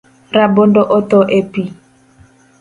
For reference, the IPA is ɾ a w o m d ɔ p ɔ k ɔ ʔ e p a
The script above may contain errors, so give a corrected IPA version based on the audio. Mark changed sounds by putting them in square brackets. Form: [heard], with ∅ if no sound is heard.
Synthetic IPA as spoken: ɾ a [b] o [n] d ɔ [ʔ] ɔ [t] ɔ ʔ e p [i]